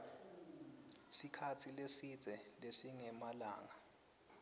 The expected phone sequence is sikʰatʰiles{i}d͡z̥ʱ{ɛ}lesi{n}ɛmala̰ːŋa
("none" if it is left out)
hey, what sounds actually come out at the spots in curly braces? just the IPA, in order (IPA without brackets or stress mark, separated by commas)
i, ɛ, ŋ